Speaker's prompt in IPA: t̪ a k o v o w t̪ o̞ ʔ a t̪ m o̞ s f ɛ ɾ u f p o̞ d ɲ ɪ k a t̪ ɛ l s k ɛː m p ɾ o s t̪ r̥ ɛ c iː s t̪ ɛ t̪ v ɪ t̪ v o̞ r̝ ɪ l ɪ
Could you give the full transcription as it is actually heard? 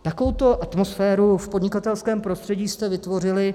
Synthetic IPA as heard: t̪ a k o v o w t̪ o̞ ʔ a t̪ m o̞ s f ɛː ɾ u f p o̞ d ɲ ɪ k a t̪ ɛ l s k ɛː m p ɾ o s t̪ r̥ ɛ ɟ iː s t̪ ɛ v ɪ t̪ v o̞ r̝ ɪ l ɪ